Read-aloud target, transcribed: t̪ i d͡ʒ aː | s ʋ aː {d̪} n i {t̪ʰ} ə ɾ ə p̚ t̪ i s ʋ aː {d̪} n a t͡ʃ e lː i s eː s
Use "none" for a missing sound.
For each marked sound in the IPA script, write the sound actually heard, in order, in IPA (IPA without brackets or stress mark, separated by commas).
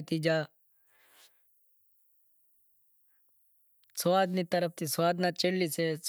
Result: d̪, t̪, d̪